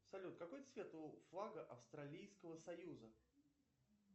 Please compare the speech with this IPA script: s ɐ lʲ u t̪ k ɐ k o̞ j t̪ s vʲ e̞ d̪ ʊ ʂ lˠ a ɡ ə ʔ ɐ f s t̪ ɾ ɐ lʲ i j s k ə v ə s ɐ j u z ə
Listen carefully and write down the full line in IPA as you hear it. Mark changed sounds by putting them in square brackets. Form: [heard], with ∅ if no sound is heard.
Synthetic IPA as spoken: s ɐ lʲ u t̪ k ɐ k o̞ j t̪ s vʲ e̞ [t̪] ʊ [f] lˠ a ɡ ə ʔ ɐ f s t̪ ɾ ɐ lʲ i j s k ə v ə s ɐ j u z ə

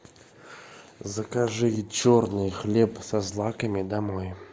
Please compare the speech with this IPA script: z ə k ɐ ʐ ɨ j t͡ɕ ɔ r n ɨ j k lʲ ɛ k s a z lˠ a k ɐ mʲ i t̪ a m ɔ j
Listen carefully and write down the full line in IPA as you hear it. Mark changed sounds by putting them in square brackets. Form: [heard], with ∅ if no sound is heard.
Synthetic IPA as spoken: z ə k [a] ʐ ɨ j t͡ɕ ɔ r n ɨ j [x] lʲ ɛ [p] s a z lˠ a k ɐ mʲ i [d̪] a m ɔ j

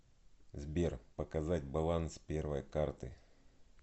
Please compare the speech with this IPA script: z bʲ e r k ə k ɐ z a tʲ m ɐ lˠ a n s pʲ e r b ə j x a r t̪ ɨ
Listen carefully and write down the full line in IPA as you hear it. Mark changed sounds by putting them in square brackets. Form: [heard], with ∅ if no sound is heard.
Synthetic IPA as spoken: z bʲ e r [p] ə k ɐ z a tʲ [b] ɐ lˠ a n s pʲ e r [v] ə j [k] a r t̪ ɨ

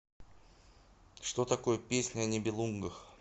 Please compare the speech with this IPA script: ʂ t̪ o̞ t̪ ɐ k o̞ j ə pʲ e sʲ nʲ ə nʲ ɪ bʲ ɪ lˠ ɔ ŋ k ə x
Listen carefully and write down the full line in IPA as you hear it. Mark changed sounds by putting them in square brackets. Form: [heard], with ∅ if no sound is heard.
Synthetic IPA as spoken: ʂ t̪ o̞ t̪ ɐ k o̞ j ə pʲ e sʲ nʲ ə nʲ ɪ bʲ ɪ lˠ [u] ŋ [ɡ] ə x

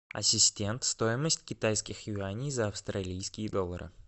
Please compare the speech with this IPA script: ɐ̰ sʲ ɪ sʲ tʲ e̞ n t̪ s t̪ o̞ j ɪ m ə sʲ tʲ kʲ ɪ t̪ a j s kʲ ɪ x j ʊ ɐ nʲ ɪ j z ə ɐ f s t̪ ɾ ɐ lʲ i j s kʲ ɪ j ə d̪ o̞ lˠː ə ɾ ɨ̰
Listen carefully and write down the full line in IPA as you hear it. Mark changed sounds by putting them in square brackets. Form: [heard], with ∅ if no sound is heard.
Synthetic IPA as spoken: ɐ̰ sʲ ɪ sʲ tʲ e̞ n t̪ s t̪ o̞ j ɪ m ə sʲ tʲ kʲ ɪ t̪ a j s kʲ ɪ x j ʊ [a] nʲ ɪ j z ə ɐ f s t̪ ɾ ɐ lʲ i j s kʲ ɪ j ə d̪ o̞ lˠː ə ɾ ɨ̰

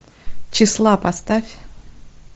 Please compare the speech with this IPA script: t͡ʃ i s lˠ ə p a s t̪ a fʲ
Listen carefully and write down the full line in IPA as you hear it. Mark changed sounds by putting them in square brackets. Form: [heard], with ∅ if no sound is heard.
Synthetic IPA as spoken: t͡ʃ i s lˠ [a] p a s t̪ a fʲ

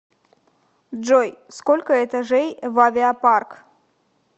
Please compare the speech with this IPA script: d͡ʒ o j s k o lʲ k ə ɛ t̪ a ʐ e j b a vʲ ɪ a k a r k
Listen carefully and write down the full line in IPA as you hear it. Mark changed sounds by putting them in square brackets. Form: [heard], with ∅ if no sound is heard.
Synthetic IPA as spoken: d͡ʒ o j s k o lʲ k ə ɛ t̪ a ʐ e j [v] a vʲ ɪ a [p] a r k

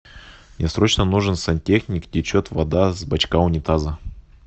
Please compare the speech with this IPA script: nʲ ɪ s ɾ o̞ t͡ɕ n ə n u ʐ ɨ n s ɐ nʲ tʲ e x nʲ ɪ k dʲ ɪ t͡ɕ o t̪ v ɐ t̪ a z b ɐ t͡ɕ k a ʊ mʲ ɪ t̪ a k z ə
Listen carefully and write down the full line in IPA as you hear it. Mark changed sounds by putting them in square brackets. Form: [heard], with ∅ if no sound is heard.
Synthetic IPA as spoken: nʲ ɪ s ɾ o̞ t͡ɕ n ə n u ʐ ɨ n s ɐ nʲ tʲ e x nʲ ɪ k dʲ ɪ t͡ɕ o t̪ v ɐ [d̪] a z b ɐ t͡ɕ k a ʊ [nʲ] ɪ t̪ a [∅] z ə

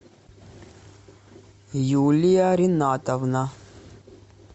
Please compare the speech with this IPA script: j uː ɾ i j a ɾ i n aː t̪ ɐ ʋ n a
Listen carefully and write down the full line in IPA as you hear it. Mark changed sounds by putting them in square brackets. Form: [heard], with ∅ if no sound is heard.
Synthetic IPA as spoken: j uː [l] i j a ɾ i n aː t̪ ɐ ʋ n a

